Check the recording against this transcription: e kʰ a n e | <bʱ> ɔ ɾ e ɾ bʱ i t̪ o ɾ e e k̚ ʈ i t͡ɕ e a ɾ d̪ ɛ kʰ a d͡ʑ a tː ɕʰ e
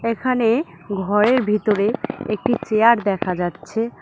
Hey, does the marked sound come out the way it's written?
no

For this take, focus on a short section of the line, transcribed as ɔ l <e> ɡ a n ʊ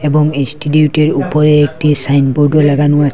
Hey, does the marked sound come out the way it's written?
no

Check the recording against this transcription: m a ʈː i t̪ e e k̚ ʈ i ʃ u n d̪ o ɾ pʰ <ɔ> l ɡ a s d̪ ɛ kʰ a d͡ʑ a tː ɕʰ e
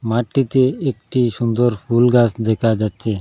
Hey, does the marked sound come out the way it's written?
no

